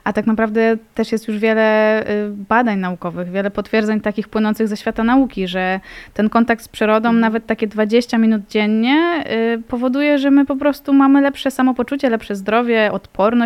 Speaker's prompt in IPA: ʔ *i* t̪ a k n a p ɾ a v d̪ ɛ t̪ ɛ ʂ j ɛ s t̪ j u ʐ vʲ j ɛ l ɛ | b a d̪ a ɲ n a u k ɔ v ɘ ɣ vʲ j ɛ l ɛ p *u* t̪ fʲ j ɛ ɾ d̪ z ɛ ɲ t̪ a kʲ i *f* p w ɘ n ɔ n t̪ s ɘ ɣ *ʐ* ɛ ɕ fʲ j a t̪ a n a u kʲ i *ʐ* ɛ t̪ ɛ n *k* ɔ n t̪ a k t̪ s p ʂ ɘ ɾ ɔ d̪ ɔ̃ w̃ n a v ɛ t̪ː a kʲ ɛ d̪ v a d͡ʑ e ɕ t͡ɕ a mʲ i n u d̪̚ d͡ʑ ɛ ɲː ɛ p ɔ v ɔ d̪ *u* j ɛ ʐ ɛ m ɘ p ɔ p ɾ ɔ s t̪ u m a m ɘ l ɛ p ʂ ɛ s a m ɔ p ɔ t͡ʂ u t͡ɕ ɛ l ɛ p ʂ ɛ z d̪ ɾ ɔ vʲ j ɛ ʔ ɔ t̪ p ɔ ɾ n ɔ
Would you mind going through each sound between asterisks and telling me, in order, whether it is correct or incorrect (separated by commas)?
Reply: incorrect, incorrect, incorrect, incorrect, correct, correct, correct